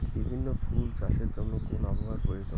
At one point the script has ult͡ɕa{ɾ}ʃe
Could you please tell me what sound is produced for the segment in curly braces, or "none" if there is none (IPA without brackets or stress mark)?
none